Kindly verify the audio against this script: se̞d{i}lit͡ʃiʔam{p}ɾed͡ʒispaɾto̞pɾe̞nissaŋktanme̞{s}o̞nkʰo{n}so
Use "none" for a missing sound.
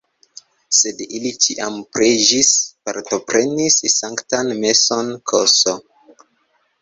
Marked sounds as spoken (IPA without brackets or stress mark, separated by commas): i, p, s, none